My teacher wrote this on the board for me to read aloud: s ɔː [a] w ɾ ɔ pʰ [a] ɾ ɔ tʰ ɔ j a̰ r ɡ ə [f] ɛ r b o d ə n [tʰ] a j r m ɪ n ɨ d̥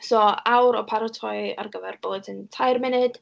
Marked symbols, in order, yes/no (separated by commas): yes, yes, no, yes